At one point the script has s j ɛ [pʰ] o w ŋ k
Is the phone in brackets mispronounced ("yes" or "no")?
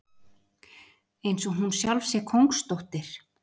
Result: yes